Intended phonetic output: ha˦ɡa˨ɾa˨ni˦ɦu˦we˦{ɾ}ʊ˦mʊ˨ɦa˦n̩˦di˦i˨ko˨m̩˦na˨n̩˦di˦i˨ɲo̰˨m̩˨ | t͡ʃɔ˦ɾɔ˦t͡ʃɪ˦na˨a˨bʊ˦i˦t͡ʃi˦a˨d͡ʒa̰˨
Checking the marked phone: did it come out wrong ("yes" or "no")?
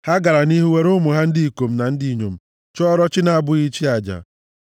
no